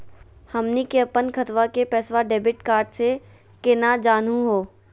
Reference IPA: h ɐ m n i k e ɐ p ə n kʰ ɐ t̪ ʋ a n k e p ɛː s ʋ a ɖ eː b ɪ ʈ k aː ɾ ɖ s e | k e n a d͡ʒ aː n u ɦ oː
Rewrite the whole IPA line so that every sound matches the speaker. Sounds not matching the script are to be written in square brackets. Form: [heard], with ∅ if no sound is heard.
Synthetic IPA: h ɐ m n i k e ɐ p ə n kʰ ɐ t̪ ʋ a [∅] k e p ɛː s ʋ a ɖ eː b ɪ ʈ k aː ɾ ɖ s e | k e n a d͡ʒ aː n u ɦ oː